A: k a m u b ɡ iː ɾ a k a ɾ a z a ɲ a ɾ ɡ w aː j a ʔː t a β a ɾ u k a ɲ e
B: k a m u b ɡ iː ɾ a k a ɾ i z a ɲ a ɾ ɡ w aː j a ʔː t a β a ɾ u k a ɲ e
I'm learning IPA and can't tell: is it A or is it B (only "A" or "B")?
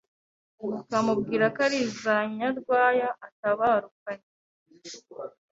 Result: B